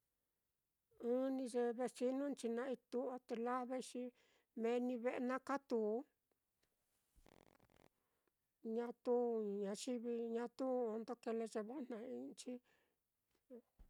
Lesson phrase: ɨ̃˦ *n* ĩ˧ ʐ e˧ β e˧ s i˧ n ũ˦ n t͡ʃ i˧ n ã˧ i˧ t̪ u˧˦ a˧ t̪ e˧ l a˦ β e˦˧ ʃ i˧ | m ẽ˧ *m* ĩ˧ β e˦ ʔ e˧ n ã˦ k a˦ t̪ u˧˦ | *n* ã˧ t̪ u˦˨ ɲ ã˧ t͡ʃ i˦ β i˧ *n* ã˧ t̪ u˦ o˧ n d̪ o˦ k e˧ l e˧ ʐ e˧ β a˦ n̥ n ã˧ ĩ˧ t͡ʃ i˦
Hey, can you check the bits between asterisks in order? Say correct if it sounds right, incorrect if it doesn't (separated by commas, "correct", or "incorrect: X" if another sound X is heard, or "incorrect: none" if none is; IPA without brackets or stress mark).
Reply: correct, incorrect: n, incorrect: ɲ, incorrect: ɲ